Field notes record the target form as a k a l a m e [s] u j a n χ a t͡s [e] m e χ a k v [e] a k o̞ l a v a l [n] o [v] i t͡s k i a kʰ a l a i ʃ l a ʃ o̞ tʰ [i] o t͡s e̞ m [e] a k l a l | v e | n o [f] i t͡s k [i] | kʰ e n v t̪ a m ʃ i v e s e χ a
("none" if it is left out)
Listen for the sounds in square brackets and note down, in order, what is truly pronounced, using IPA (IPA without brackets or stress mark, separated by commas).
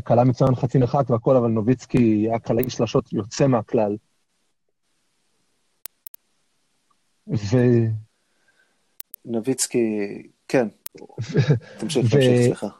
t͡s, i, e, n, v, j, e, v, i